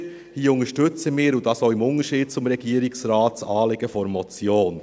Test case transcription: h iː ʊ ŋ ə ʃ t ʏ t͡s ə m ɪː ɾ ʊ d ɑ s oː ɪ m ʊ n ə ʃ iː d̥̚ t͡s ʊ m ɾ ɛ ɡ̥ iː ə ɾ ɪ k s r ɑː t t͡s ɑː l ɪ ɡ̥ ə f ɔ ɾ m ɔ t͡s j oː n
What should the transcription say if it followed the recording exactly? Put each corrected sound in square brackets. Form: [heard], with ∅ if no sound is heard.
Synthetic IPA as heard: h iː ʊ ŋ ə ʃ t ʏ t͡s ə m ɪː ɾ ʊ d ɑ s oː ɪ m ʊ n ə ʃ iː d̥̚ t͡s ʊ m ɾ ɛ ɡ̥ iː ə ɾ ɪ k s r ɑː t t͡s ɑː l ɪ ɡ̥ ə f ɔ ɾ m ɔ t͡s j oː n